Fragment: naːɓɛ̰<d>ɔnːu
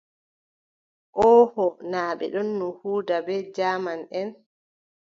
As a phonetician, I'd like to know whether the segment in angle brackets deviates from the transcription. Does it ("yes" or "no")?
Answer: yes